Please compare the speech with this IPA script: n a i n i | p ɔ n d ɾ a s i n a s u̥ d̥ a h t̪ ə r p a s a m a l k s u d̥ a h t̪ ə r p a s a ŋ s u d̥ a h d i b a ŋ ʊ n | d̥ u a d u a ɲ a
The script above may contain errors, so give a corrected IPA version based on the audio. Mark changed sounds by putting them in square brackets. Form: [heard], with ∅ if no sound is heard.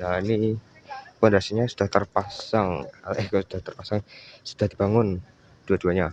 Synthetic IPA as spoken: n a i n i | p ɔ n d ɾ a s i [ɲ] a s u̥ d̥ a h t̪ ə r p a s a [ŋ] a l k s u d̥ a h t̪ ə r p a s a ŋ s u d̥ a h d i b a ŋ ʊ n | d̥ u a d u a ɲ a